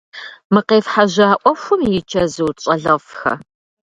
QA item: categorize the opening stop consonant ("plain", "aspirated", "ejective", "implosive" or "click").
plain